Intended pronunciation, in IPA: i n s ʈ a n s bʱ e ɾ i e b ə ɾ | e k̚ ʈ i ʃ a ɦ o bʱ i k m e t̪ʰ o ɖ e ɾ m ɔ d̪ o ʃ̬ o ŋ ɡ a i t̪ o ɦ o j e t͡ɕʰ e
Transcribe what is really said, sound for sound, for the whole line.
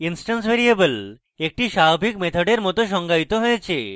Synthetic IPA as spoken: i n s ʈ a n s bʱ e ɾ i e b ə l | e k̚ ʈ i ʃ a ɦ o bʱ i k m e t̪ʰ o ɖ e ɾ m ɔ t̪ o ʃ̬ ɔ ŋ ɡ a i t̪ o ɦ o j e t͡ɕʰ e